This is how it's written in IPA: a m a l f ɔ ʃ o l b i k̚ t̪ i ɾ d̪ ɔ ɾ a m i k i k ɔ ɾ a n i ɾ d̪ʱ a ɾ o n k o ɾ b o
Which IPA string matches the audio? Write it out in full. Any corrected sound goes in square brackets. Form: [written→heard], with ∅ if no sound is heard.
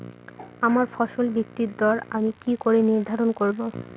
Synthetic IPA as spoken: a m a [l→ɾ] f ɔ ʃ o l b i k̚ t̪ i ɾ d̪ ɔ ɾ a m i k i k [ɔ→o] ɾ [a→e] n i ɾ d̪ʱ a ɾ o n k o ɾ b o